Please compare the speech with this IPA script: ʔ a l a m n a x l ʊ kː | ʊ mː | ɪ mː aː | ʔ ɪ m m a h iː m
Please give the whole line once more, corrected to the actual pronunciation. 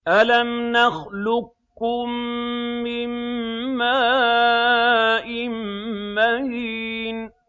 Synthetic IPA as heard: ʔ a l a m n a x l ʊ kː | ʊ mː | ɪ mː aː | ʔ ɪ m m a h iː n